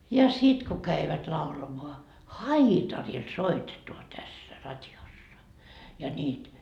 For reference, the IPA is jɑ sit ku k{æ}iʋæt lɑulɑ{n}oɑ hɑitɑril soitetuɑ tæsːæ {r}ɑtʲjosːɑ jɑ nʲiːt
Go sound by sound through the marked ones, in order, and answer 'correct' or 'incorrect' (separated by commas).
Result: correct, incorrect, correct